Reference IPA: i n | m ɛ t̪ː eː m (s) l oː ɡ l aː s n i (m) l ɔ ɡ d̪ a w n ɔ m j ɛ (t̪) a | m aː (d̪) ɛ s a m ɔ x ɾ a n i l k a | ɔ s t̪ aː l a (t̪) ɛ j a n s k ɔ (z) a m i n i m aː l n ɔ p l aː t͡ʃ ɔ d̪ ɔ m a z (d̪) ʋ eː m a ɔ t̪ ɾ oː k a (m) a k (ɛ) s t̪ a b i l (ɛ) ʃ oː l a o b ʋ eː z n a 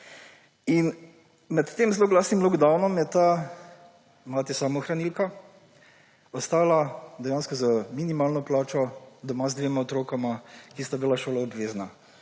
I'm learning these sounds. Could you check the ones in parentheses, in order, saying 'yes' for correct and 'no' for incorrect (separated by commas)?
no, yes, yes, no, no, yes, yes, yes, no, no